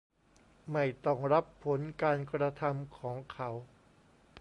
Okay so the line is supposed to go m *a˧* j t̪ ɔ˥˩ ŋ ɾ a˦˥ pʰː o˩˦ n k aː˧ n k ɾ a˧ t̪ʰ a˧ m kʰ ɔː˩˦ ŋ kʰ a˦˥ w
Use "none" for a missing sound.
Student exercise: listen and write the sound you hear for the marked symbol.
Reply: a˥˩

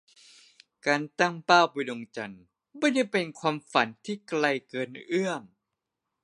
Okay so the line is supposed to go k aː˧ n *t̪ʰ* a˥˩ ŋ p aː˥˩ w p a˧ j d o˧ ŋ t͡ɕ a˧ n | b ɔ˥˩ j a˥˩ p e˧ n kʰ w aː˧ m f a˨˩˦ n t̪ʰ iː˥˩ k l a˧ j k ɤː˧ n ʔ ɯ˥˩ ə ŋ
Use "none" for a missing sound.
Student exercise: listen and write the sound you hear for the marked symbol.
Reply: t̪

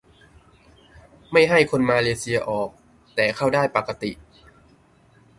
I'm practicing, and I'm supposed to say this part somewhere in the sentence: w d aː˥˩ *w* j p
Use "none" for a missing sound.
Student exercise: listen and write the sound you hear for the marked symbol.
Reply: none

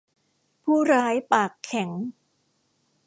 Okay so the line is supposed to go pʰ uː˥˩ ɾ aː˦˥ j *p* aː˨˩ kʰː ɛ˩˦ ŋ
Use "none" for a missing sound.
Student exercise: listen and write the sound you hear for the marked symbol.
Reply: p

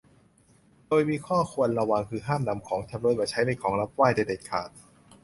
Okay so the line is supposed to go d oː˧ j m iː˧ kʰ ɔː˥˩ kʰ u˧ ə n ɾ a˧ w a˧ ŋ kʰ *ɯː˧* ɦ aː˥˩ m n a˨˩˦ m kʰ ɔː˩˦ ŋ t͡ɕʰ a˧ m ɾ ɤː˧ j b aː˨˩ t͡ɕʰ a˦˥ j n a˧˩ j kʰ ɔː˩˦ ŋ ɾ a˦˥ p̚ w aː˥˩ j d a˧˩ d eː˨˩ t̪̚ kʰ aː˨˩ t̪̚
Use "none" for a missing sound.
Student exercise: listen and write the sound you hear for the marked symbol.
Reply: ɯː˧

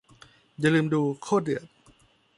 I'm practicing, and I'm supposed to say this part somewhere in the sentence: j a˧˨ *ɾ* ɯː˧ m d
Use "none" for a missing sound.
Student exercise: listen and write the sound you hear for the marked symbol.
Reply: l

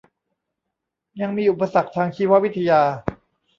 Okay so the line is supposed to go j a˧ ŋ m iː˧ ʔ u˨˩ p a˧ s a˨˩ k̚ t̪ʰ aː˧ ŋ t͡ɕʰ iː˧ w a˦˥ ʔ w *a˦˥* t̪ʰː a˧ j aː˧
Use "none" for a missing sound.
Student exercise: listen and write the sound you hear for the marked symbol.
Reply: i˦˥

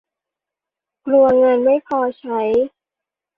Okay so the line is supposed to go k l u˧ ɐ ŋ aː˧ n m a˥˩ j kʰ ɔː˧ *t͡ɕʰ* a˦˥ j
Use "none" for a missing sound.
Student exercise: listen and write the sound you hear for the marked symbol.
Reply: t͡ɕʰ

